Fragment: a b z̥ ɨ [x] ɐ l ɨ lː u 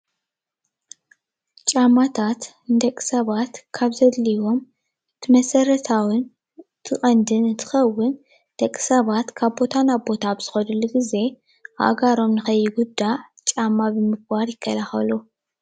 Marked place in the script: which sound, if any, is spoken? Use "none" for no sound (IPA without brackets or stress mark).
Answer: x